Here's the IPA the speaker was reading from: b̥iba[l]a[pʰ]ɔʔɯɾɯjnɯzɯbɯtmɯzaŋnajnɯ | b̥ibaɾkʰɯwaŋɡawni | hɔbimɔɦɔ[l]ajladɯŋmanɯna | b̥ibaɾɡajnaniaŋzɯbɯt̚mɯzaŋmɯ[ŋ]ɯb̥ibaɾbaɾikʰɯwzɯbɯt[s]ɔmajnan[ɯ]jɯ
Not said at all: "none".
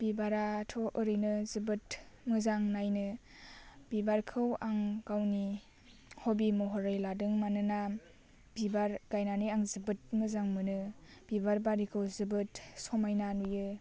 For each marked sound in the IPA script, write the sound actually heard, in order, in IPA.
ɾ, tʰ, ɾ, n, s, u

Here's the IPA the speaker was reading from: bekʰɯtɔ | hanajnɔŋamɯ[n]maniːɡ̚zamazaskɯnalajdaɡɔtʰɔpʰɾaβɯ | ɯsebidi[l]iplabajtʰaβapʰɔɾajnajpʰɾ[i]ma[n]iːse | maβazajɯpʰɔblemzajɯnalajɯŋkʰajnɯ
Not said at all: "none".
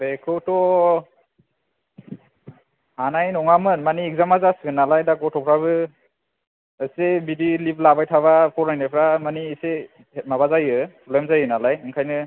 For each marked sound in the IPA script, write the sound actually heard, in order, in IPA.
n, l, a, n

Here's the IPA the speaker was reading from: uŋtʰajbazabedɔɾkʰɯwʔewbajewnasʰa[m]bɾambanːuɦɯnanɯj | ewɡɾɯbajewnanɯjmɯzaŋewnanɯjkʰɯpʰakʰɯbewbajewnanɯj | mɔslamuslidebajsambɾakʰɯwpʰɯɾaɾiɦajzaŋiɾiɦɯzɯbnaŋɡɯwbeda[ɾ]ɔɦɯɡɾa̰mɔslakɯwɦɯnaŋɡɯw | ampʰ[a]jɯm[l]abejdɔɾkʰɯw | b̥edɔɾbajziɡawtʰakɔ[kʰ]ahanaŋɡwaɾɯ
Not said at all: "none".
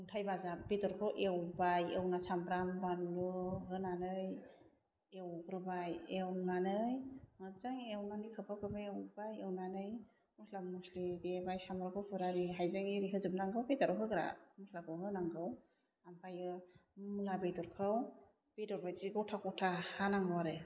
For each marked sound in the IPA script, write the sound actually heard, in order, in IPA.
m, ɾ, a, l, tʰ

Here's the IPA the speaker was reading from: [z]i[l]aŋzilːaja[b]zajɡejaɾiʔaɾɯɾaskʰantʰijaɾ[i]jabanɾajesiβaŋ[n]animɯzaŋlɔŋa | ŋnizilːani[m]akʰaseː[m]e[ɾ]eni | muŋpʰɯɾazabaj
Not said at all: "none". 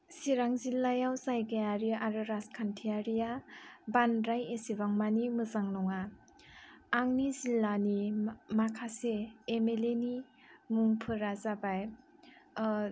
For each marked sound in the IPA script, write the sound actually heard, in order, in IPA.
s, ɾ, w, i, m, m, m, l

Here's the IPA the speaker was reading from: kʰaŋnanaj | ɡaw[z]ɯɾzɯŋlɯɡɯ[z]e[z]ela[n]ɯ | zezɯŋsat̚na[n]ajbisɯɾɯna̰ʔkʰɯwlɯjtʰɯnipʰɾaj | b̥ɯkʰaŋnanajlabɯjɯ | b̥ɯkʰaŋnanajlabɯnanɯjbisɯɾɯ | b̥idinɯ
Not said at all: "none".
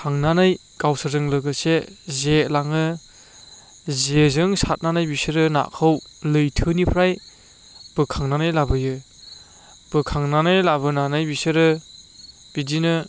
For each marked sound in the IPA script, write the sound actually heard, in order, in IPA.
s, s, z, ŋ, n

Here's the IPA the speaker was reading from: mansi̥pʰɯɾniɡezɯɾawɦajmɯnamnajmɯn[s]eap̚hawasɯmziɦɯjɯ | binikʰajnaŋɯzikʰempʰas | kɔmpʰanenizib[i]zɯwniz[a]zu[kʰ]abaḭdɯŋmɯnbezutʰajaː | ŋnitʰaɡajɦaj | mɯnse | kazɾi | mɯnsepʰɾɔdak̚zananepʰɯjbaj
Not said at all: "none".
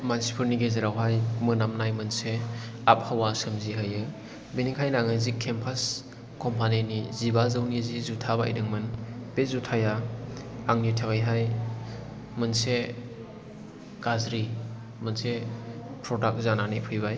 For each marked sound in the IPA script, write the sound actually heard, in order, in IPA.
s, a, i, tʰ

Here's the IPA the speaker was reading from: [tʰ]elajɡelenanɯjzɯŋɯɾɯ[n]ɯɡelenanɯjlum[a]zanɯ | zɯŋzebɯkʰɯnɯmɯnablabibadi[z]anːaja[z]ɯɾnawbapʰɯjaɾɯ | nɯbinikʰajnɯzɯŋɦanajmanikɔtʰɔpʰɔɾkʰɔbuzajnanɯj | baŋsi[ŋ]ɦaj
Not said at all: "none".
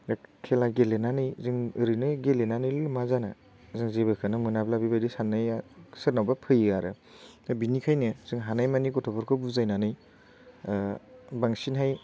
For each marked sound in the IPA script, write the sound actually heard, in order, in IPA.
kʰ, n, a, s, s, n

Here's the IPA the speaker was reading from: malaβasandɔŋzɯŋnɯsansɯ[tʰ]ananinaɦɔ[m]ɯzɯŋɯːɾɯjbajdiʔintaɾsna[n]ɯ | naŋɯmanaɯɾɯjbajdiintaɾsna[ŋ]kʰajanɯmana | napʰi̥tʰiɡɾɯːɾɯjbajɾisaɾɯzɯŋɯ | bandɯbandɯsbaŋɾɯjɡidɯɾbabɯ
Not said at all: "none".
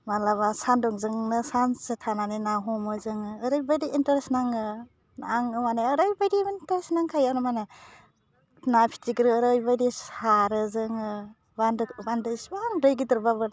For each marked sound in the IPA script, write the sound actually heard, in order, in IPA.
tʰ, m, ŋ, ŋ

